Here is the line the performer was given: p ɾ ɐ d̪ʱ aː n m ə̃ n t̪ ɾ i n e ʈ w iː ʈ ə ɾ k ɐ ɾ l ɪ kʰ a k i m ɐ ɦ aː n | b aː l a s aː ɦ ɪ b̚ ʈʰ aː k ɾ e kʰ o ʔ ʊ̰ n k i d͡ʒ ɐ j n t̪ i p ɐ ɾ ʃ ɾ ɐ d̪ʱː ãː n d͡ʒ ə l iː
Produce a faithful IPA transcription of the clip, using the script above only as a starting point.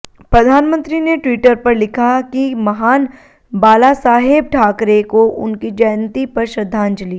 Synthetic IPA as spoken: p ɾ ɐ d̪ʱ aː n m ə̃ n t̪ ɾ i n e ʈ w iː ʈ ə ɾ p ɐ ɾ l ɪ kʰ a k i m ɐ ɦ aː n | b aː l a s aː ɦ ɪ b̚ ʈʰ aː k ɾ e k o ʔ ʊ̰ n k i d͡ʒ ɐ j n t̪ i p ɐ ɾ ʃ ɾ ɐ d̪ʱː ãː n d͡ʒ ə l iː